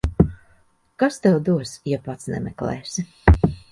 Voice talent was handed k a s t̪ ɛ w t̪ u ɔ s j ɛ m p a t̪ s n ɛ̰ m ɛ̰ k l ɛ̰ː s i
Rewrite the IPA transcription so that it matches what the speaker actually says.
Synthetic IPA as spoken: k a s t̪ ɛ w d̪ u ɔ s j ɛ p a t̪ s n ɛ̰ m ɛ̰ k l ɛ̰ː s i